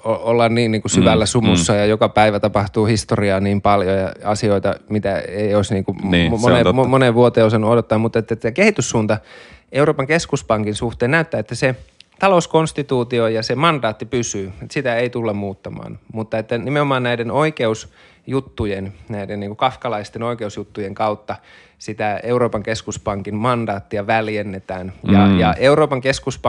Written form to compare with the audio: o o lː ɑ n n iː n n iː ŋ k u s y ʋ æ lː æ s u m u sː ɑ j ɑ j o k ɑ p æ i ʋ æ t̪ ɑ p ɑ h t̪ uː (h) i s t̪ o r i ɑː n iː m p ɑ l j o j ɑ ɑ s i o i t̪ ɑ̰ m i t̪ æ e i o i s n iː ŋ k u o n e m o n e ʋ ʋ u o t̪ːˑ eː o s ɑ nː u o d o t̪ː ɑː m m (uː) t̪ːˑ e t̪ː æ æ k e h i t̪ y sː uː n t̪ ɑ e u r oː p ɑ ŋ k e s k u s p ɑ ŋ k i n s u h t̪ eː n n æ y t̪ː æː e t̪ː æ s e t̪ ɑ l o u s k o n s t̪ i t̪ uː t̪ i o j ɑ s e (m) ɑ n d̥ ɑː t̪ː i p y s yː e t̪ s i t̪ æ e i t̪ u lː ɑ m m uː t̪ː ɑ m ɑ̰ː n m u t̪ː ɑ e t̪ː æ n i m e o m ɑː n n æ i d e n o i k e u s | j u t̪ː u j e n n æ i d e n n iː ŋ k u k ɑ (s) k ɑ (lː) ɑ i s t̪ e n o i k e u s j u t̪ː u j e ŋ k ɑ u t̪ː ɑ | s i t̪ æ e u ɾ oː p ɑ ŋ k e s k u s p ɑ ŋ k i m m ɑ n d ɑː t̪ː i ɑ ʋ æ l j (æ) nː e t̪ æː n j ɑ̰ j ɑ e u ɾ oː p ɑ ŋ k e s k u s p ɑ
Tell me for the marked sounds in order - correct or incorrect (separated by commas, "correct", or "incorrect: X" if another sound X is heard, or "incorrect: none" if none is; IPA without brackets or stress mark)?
correct, incorrect: u, correct, incorrect: f, incorrect: l, incorrect: e